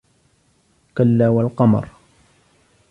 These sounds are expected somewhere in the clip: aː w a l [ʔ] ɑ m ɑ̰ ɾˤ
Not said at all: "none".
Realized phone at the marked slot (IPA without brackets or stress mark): q